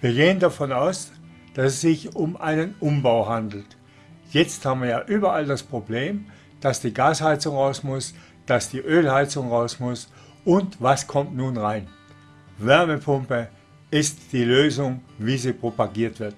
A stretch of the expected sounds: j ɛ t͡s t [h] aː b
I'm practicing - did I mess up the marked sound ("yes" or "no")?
no